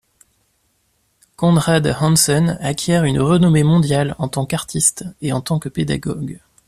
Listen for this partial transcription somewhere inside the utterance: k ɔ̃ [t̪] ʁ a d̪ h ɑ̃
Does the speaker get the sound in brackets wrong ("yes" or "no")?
yes